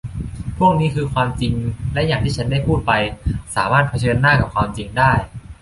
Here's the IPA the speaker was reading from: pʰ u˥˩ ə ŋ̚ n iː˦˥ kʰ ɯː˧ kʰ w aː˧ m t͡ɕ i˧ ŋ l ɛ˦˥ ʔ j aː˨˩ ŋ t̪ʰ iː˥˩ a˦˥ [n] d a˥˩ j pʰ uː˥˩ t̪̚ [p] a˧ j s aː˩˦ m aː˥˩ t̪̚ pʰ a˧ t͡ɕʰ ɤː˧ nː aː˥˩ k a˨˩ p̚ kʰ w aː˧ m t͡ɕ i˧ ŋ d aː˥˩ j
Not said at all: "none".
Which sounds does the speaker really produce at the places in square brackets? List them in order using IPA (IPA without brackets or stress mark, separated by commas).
n, p